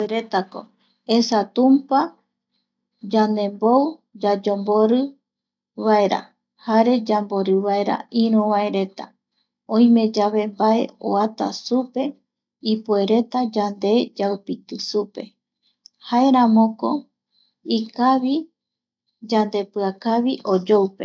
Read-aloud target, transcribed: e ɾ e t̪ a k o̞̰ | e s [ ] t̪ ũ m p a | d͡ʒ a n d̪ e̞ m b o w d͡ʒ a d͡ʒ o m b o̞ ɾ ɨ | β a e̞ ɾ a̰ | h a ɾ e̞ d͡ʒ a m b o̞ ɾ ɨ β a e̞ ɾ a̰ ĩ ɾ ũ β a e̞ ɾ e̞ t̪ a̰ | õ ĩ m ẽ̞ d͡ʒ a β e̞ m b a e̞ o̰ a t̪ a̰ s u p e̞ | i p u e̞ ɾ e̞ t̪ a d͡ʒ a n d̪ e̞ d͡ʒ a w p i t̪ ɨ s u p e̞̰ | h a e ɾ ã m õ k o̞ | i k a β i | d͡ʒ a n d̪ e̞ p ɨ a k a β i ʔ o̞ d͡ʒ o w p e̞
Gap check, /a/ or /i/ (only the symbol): a